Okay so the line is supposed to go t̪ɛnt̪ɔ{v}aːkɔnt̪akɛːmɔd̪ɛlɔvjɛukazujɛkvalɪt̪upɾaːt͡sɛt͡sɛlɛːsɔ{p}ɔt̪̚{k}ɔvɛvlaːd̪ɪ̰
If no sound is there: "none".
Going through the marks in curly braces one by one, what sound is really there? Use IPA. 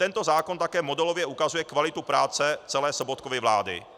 z, b, k

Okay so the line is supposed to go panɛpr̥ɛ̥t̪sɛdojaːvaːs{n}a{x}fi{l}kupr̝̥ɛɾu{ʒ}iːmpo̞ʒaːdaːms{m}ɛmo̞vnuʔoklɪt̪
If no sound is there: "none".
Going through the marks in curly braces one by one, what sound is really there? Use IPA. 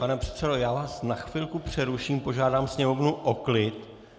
n, x, l, ʃ, ɲ

